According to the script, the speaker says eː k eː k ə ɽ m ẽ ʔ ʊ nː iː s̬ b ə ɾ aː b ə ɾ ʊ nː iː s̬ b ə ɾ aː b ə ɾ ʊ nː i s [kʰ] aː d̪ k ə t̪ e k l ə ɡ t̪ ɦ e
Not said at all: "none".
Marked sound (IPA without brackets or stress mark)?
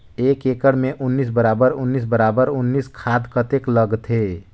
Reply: kʰ